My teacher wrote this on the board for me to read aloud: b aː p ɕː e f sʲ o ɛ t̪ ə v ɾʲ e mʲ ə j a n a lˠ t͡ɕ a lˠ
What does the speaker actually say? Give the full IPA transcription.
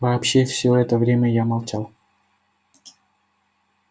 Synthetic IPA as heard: v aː p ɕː e f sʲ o ɛ t̪ ə v ɾʲ e mʲ ə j a m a lˠ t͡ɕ a lˠ